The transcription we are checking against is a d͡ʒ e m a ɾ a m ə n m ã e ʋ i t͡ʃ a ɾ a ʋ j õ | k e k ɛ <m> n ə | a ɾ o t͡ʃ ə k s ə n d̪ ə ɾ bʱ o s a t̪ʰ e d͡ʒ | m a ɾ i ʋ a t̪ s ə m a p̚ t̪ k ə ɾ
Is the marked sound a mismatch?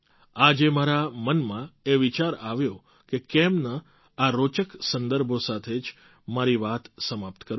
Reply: no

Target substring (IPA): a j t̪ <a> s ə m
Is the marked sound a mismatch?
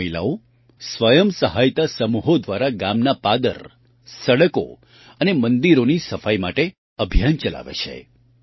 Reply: no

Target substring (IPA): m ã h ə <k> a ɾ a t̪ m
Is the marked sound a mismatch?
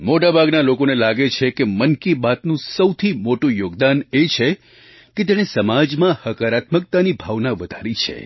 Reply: no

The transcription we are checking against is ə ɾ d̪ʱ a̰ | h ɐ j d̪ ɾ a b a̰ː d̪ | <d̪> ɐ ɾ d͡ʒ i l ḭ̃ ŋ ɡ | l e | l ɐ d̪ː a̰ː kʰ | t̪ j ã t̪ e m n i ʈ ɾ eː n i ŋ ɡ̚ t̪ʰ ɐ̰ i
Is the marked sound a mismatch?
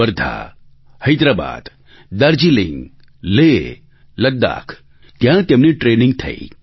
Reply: no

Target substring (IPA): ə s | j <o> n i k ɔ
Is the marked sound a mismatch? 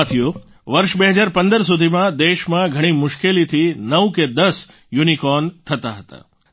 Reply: yes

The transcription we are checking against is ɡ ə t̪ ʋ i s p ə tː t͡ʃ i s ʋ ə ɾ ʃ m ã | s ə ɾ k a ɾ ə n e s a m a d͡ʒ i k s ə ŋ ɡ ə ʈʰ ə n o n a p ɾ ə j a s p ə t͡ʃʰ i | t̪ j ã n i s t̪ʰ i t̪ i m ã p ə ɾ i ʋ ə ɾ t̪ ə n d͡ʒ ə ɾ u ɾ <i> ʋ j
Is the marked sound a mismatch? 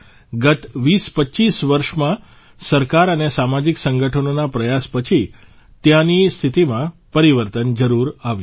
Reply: yes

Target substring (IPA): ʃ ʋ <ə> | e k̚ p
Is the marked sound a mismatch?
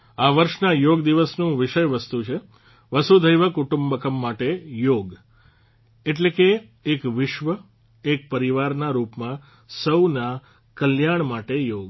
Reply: no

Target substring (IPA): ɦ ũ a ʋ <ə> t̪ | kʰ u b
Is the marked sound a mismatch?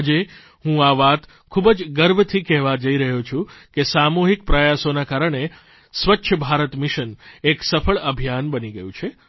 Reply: yes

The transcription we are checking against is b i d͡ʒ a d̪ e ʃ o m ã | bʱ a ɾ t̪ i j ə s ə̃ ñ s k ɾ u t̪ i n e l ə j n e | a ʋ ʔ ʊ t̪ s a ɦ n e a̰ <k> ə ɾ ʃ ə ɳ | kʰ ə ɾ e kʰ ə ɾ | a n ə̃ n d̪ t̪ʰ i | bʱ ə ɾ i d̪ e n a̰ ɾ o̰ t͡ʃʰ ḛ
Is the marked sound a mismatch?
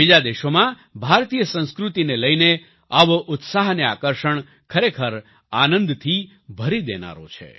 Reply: no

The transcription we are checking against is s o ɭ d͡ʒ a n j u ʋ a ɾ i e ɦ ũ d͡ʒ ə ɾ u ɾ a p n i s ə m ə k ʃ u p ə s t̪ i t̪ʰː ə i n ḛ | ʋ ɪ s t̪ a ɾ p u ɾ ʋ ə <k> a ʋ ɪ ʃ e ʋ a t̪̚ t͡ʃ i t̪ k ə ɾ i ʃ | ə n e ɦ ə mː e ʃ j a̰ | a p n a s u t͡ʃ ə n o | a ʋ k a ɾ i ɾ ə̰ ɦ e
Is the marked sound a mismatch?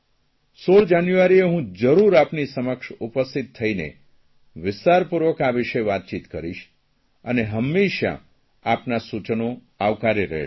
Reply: no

